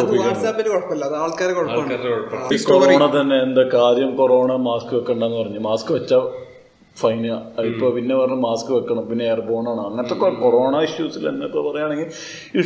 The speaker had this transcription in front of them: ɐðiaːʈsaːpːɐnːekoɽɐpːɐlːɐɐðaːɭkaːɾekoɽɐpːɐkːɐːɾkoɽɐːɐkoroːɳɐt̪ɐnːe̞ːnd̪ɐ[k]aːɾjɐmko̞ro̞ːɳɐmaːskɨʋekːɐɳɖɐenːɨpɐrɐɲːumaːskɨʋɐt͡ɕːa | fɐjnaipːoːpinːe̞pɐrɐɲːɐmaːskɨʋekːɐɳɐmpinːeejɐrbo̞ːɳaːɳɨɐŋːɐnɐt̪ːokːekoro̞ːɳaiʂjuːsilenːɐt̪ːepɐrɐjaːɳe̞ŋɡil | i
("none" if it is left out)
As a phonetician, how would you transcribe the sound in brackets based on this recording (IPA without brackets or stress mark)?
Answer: k